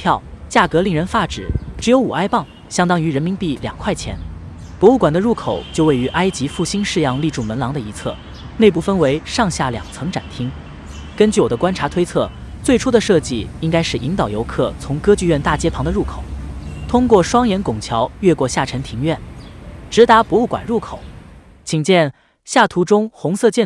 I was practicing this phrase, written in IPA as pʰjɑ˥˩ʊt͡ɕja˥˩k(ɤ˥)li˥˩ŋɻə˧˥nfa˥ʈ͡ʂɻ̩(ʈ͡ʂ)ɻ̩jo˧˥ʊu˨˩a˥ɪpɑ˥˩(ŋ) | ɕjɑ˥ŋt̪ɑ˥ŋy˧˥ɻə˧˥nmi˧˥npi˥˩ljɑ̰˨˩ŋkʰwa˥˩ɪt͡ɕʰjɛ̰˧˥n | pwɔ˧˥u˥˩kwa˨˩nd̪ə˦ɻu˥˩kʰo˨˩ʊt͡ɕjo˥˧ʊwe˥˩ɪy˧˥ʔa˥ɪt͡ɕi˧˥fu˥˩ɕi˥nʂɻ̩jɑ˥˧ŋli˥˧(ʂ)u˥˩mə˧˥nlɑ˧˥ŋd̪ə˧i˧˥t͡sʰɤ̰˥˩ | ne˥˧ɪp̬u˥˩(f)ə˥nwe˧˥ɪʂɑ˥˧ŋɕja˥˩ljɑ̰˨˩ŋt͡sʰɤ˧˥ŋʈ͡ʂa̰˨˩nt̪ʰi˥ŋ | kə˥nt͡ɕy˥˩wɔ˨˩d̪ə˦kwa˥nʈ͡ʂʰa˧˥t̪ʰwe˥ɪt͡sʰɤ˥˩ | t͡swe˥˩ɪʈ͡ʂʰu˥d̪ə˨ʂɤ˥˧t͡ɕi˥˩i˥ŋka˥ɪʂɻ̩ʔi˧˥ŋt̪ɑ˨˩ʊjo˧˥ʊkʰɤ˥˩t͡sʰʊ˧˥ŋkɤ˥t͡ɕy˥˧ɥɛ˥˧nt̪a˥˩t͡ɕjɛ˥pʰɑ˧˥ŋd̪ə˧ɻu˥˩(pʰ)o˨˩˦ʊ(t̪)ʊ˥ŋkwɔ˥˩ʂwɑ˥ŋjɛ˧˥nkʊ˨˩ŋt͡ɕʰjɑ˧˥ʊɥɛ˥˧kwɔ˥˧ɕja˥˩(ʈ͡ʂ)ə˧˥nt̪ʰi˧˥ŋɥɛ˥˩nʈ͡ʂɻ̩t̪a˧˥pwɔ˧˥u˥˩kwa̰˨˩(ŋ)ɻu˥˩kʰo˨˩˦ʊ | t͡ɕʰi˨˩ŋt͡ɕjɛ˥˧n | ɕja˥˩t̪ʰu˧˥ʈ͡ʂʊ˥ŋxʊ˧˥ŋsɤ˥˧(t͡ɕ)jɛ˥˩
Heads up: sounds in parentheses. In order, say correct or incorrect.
incorrect: ɤ˧˥, correct, correct, incorrect: ʈ͡ʂ, correct, incorrect: kʰ, incorrect: t̪ʰ, incorrect: ʈ͡ʂʰ, incorrect: n, correct

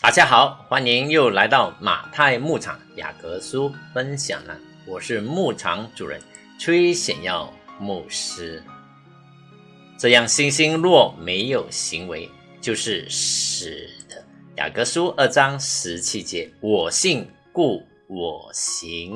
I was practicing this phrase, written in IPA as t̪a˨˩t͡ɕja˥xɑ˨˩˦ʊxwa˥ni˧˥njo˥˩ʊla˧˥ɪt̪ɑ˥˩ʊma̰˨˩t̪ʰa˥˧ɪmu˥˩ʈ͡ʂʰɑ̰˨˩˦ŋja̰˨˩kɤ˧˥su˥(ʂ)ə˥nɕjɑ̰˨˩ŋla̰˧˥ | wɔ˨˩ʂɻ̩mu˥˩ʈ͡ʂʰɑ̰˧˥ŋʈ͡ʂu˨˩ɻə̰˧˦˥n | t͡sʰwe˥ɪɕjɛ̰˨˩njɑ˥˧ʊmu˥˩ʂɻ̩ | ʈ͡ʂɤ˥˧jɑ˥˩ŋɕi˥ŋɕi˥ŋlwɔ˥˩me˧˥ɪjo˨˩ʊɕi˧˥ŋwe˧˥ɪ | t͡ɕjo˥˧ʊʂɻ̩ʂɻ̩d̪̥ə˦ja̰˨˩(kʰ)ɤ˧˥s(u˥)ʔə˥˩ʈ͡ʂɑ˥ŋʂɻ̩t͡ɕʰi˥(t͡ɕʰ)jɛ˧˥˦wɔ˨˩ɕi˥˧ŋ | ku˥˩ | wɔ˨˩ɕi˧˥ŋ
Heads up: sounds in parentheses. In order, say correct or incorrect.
incorrect: f, incorrect: k, correct, incorrect: t͡ɕ

